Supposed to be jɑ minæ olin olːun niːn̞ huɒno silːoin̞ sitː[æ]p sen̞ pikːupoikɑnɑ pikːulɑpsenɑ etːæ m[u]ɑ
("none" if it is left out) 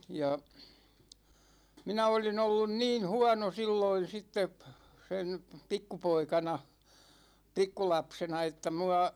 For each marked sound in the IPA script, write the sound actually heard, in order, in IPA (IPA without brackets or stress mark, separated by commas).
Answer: e, u